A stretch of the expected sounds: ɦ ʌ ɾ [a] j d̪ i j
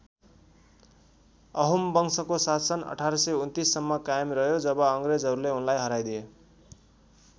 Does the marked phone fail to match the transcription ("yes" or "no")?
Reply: no